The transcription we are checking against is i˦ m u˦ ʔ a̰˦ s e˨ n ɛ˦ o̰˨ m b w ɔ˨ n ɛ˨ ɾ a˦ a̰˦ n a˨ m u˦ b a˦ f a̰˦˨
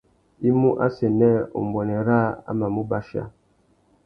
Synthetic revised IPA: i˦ m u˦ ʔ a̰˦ s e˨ n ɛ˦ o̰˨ m b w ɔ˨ n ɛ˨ ɾ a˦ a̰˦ m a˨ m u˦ b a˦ ʃ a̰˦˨